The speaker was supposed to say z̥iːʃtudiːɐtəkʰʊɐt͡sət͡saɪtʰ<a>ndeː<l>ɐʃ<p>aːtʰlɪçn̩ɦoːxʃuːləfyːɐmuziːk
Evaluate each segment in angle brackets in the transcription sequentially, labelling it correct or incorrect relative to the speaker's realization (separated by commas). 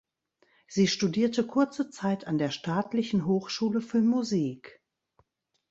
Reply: correct, incorrect, incorrect